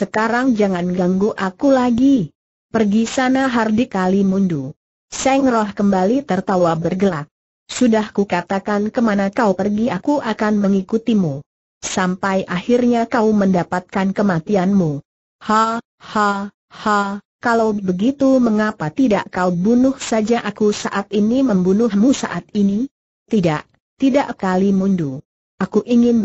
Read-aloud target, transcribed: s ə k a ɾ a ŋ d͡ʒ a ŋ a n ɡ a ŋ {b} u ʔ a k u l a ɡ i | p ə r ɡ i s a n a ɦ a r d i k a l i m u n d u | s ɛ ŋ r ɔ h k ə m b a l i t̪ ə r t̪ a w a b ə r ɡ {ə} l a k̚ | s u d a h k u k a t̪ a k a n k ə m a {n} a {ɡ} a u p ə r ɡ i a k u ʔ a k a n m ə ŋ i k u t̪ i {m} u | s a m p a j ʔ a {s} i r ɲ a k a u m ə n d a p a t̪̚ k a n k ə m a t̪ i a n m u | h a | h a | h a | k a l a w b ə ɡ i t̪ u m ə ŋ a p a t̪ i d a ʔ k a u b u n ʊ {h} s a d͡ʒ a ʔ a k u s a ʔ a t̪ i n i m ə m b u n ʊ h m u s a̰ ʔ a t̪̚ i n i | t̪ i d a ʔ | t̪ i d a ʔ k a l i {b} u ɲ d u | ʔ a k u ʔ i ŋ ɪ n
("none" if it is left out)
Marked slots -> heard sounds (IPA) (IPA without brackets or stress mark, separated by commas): ɡ, ə, n, k, m, h, h, m